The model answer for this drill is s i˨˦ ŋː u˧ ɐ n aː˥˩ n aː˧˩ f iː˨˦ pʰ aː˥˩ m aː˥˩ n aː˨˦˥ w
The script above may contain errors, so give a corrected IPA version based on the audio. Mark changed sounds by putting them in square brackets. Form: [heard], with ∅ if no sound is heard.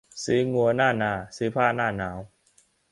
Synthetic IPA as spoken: s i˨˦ [ŋ] u˧ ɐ n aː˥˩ n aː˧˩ [s] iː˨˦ pʰ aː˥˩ [n] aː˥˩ n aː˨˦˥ w